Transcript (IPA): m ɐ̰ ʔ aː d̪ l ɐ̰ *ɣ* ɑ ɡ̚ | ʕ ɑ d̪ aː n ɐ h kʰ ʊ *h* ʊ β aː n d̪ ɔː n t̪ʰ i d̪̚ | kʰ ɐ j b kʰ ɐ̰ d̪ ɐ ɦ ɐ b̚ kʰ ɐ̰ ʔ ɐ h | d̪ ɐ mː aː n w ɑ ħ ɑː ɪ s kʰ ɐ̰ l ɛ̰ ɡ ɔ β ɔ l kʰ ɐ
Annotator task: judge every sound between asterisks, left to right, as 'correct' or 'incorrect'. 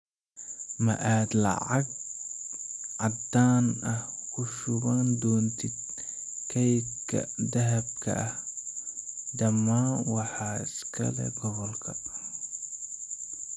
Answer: incorrect: ʕ, incorrect: ʃ

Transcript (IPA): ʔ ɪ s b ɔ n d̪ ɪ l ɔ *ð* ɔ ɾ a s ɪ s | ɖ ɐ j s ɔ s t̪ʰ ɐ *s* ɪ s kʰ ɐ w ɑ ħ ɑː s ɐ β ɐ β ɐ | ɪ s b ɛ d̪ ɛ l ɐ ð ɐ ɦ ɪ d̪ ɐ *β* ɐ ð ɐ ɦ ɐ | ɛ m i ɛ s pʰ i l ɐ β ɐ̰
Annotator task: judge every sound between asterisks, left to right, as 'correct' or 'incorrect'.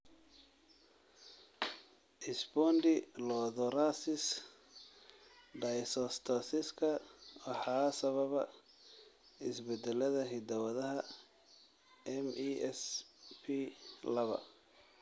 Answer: correct, correct, incorrect: w

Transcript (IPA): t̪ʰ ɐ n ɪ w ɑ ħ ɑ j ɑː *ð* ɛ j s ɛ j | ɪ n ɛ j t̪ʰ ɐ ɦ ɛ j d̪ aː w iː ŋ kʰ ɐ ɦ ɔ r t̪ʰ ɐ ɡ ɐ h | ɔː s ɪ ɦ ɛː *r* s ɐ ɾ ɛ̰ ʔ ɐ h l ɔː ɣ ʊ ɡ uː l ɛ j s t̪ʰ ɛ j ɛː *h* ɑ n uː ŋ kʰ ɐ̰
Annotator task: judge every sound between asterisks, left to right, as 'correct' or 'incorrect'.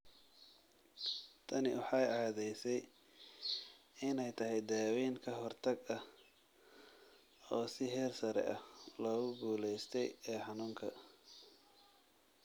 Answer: correct, correct, incorrect: ħ

